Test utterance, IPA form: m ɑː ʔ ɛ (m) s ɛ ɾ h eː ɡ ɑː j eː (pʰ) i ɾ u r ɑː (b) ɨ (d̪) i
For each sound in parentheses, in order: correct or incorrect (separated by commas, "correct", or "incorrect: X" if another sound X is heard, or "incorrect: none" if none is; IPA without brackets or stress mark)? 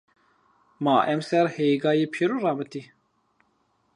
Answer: correct, correct, incorrect: m, incorrect: t̪